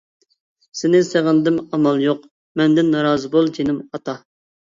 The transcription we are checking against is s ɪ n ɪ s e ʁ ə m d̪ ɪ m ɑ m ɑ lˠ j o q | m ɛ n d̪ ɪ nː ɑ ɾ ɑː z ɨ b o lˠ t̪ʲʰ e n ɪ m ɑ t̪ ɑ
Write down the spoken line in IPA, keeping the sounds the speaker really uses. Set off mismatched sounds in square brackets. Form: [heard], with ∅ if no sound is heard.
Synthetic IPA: s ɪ n ɪ s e ʁ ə [n] d̪ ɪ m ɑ m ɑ lˠ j o q | m ɛ n d̪ ɪ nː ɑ ɾ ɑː z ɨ b o lˠ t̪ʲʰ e n ɪ m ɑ t̪ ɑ